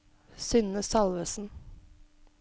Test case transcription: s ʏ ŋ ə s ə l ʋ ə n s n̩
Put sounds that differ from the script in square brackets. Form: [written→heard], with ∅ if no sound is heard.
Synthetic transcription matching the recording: s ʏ [ŋ→n] ə s [ə→ɑ] l ʋ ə [n→∅] s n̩